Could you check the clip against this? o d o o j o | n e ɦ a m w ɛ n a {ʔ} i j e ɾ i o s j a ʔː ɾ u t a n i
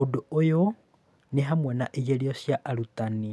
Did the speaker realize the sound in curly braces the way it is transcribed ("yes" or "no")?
yes